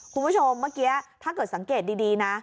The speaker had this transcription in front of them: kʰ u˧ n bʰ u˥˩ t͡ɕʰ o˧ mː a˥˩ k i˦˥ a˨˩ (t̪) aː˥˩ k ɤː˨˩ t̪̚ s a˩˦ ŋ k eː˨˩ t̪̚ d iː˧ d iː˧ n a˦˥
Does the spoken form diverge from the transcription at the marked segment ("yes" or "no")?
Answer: yes